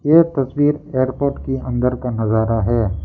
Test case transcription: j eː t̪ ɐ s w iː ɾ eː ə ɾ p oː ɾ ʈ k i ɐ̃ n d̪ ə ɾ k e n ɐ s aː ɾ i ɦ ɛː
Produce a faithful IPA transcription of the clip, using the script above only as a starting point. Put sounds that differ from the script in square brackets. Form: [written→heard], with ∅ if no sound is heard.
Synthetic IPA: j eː t̪ ɐ s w iː ɾ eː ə ɾ p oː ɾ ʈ k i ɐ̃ n d̪ ə ɾ k [e→a] n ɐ [s→z] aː ɾ [i→a] ɦ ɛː